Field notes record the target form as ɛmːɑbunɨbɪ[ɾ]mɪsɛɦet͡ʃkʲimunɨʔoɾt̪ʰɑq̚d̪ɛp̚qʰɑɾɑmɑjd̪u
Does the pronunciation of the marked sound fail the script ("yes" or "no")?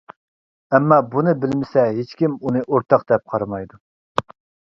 yes